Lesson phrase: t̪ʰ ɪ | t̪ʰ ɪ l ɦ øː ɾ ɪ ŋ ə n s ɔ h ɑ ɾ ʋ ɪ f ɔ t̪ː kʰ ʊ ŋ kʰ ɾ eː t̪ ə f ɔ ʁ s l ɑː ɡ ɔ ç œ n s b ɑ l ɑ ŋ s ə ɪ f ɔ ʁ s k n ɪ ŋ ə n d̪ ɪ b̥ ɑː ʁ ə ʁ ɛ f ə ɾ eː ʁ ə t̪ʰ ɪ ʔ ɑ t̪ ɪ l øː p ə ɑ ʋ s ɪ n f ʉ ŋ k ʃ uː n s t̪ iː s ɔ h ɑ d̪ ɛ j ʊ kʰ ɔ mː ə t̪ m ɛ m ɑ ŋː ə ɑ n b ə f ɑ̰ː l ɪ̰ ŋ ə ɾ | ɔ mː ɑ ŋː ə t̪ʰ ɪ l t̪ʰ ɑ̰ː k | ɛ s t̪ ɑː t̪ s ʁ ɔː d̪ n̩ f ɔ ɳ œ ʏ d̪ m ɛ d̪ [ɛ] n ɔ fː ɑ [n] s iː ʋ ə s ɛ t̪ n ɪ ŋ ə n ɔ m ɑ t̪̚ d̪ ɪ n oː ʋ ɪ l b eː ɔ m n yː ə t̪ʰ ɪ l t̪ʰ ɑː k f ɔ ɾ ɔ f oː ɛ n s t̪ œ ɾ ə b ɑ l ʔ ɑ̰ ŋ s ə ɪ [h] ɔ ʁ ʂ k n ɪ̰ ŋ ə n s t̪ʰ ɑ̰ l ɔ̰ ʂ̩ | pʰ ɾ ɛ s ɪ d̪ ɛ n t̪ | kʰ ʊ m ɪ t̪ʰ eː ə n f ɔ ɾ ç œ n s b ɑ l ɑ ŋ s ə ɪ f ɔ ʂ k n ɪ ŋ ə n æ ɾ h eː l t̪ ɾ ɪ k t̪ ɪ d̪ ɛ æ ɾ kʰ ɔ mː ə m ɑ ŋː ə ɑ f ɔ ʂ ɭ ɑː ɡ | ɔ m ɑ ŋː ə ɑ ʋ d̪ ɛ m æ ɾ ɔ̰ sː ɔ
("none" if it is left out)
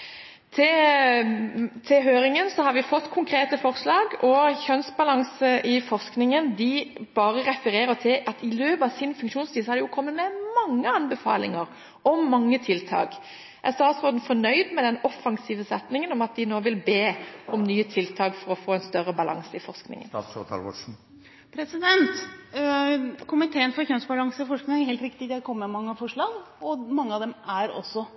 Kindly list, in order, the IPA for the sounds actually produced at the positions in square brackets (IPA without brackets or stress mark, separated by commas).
ɛ, ŋ, f